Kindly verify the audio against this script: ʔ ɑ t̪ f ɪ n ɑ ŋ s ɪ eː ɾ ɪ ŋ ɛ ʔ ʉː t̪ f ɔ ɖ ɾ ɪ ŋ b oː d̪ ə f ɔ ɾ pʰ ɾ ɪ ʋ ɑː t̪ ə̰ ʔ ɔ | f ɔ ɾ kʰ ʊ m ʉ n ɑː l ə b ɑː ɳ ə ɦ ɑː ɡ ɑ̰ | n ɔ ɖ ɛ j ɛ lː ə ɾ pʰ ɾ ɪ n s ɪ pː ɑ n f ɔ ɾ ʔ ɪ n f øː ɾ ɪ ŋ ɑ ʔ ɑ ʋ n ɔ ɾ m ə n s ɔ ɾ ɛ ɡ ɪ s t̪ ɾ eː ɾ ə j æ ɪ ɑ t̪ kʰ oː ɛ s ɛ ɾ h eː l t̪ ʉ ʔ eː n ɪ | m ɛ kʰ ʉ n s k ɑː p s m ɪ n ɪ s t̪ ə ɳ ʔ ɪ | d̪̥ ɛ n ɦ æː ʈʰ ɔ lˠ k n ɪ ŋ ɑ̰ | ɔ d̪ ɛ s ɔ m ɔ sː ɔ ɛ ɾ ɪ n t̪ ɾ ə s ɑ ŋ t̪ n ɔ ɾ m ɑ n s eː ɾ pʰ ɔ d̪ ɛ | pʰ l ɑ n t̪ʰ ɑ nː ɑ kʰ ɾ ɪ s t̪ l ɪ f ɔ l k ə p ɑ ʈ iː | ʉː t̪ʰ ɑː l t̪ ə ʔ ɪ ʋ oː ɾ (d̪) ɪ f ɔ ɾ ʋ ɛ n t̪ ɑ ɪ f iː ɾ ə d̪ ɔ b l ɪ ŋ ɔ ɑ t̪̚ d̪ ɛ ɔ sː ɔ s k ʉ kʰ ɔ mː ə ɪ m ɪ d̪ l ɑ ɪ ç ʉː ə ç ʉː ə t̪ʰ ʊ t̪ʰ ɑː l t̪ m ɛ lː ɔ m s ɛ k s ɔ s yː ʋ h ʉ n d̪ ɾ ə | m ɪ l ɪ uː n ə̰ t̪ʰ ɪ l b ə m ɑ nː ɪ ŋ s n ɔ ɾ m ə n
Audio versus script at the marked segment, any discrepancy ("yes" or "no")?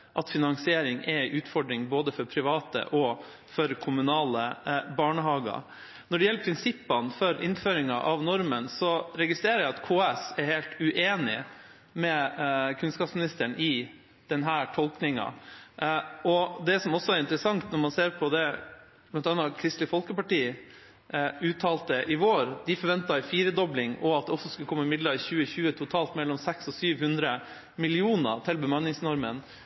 no